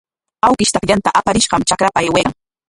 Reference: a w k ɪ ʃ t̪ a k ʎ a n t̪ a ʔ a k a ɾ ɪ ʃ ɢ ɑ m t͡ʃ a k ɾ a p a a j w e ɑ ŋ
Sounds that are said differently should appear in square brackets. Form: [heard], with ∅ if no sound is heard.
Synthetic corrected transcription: a w k ɪ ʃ t̪ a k ʎ a n t̪ a ʔ a [p] a ɾ ɪ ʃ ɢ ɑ m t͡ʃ a k ɾ a p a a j w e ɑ ŋ